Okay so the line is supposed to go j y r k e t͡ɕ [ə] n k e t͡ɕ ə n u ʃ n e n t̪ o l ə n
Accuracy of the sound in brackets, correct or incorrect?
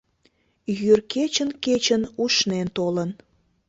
correct